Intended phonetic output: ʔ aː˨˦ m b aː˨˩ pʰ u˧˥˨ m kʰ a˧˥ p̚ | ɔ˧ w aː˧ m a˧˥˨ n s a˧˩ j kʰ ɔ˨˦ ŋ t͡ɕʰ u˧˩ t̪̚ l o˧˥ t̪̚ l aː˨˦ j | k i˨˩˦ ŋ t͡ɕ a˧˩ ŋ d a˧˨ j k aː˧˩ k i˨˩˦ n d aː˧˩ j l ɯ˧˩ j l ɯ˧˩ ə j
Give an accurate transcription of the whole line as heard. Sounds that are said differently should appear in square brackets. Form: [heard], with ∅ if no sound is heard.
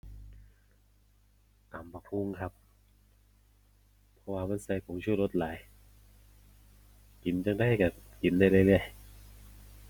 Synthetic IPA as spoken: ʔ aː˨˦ m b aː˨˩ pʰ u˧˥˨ [ŋ] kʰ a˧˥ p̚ | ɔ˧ w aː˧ m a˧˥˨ n s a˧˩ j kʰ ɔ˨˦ ŋ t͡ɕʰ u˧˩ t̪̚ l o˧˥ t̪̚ l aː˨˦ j | k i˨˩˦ [n] t͡ɕ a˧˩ ŋ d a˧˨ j k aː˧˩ k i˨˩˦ n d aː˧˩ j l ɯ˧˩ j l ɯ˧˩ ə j